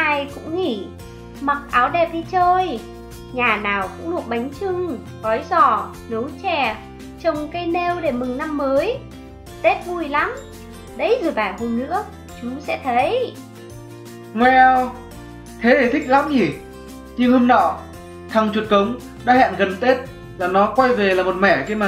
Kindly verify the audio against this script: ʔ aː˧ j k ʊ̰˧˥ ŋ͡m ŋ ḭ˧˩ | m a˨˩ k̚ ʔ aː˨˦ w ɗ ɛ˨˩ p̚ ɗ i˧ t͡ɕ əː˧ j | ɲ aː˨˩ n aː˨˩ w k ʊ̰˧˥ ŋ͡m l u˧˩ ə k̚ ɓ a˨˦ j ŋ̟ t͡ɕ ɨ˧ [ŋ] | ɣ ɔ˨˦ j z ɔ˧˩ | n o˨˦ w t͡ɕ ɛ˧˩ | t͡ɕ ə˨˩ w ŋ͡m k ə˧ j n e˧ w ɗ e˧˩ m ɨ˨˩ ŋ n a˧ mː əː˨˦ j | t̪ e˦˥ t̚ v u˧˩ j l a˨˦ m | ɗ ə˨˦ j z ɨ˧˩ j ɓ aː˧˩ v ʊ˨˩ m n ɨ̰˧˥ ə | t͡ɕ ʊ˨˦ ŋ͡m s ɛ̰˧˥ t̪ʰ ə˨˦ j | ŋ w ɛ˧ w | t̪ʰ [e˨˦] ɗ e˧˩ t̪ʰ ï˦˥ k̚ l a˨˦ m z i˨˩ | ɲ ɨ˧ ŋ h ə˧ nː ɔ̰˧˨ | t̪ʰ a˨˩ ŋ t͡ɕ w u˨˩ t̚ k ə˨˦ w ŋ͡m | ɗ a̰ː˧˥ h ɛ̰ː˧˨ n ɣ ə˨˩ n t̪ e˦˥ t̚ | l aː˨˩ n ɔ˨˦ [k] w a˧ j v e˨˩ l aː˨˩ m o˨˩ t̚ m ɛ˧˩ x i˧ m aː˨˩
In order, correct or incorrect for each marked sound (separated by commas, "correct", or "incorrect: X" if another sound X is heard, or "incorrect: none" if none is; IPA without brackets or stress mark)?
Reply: correct, correct, correct